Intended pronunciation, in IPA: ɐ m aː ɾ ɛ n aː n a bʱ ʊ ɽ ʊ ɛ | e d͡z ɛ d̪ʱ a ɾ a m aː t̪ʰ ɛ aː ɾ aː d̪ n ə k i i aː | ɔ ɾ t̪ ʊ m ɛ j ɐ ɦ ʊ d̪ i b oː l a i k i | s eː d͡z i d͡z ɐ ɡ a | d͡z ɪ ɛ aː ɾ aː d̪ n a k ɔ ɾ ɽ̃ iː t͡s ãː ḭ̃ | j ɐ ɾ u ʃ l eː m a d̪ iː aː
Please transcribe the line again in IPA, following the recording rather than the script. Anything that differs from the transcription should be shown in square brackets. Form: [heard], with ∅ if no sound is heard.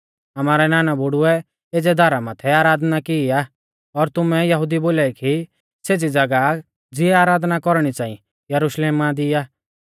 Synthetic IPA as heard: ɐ m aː ɾ ɛ n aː n a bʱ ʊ ɽ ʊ ɛ | e d͡z ɛ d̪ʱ a ɾ a m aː t̪ʰ ɛ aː ɾ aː d̪ n [a] k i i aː | ɔ ɾ t̪ ʊ m ɛ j ɐ ɦ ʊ d̪ i b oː l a i k i | s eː d͡z i d͡z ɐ ɡ a | d͡z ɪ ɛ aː ɾ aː d̪ n a k ɔ ɾ ɽ̃ [i] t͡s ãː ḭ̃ | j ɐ ɾ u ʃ l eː m a d̪ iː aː